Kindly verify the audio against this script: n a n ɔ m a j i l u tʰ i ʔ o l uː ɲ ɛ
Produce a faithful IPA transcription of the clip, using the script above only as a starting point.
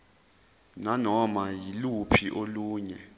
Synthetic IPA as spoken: n a n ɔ m a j i l u pʰ i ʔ o l uː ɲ ɛ